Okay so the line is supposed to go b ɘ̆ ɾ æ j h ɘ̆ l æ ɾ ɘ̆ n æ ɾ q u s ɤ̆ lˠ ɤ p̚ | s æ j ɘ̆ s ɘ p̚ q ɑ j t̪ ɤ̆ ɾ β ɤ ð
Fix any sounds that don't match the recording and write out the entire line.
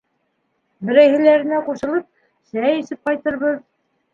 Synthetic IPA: b ɘ̆ ɾ æ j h ɘ̆ l æ ɾ ɘ̆ n æ q u ʃ ɤ̆ lˠ ɤ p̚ | s æ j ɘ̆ s ɘ p̚ q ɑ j t̪ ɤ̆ ɾ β ɤ ð